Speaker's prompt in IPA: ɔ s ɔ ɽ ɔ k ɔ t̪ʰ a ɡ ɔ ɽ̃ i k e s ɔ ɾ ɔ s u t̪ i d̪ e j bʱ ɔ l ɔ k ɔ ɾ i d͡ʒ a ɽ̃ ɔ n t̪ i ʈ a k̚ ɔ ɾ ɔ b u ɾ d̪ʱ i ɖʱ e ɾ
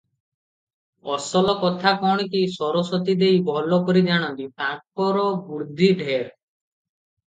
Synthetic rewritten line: ɔ s ɔ l ɔ k ɔ t̪ʰ a k ɔ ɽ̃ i k i s ɔ ɾ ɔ s ɔ t̪ i d̪ e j bʱ ɔ l ɔ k ɔ ɾ i d͡ʒ a ɽ̃ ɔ n t̪ i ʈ a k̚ ɔ ɾ ɔ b u ɾ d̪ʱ i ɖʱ e ɾ

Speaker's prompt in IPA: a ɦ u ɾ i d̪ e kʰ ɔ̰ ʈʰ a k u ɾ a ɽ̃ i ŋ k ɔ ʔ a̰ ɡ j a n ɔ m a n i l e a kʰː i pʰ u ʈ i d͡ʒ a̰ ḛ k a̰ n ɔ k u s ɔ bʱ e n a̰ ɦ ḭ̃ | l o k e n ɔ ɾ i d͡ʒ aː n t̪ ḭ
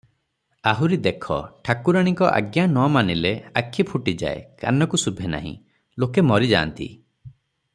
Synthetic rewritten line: a ɦ u ɾ i d̪ e kʰ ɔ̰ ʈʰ a k u ɾ a ɽ̃ i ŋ k ɔ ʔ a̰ ɡ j a n ɔ m a n i l e a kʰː i pʰ u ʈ i d͡ʒ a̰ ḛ k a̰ n ɔ k u s u bʱ e n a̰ ɦ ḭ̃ | l o k e m ɔ ɾ i d͡ʒ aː n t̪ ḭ

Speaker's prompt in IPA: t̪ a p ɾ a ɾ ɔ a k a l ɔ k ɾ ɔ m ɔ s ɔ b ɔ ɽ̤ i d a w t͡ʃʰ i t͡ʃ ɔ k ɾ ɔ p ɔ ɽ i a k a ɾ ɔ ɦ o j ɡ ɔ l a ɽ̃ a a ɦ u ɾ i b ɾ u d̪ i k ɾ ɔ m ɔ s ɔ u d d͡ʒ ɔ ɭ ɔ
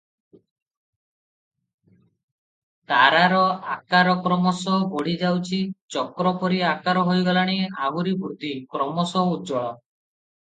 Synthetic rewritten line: t̪ a ɾ a ɾ ɔ a k a ɾ ɔ k ɾ ɔ m ɔ s ɔ b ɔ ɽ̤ i d͡ʒ a w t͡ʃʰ i t͡ʃ ɔ k ɾ ɔ p ɔ ɾ i a k a ɾ ɔ ɦ o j ɡ ɔ l a ɽ̃ i a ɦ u ɾ i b ɾ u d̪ i k ɾ ɔ m ɔ s ɔ u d d͡ʒ ɔ ɭ ɔ

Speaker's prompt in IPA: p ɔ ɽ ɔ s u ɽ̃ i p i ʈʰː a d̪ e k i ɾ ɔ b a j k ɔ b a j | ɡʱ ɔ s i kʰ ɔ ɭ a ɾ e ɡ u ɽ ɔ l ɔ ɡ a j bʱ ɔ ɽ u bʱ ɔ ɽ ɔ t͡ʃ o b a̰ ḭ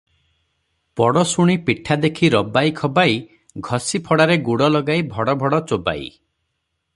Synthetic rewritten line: p ɔ ɽ ɔ s u ɽ̃ i p i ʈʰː a d̪ e kʰ i ɾ ɔ b a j kʰ ɔ b a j | ɡʱ ɔ s i pʰ ɔ ɽ a ɾ e ɡ u ɽ ɔ l ɔ ɡ a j bʱ ɔ ɽ ɔ bʱ ɔ ɽ ɔ t͡ʃ o b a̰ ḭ

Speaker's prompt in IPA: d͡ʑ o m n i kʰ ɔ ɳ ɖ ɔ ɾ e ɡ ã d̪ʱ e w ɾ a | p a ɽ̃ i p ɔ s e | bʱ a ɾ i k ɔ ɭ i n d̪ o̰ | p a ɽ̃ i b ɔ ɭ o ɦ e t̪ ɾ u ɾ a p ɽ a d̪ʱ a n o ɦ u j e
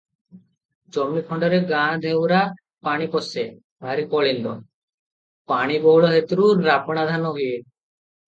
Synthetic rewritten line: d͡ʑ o m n i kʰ ɔ ɳ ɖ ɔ ɾ e ɡ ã d̪ʱ e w ɾ a | p a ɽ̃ i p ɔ s e | bʱ a ɾ i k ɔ ɭ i n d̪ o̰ | p a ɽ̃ i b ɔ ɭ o ɦ e t̪ ɾ u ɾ a p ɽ a d̪ʱ a n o ɦ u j e

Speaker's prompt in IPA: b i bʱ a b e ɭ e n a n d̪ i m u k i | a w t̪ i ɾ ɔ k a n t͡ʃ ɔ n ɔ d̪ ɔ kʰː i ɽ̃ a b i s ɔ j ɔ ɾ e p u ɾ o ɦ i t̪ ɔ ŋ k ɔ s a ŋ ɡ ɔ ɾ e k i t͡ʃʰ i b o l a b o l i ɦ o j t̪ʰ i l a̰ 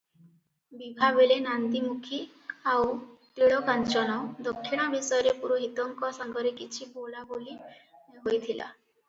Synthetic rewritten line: b i bʱ a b e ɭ e n a n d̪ i m u kʰ i | a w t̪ i ɭ ɔ k a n t͡ʃ ɔ n ɔ d̪ ɔ kʰː i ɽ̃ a b i s ɔ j ɔ ɾ e p u ɾ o ɦ i t̪ ɔ ŋ k ɔ s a ŋ ɡ ɔ ɾ e k i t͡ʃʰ i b o l a b o l i ɦ o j t̪ʰ i l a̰

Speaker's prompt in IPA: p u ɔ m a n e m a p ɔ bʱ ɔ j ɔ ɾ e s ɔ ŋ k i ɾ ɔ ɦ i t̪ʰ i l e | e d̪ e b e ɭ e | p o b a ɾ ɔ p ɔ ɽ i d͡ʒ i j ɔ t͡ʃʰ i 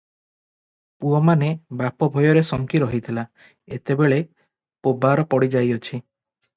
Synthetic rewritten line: p u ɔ m a n e b a p ɔ bʱ ɔ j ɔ ɾ e s ɔ ŋ k i ɾ ɔ ɦ i t̪ʰ i l a | e t̪ e b e ɭ e | p o b a ɾ ɔ p ɔ ɽ i d͡ʒ a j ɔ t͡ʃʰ i

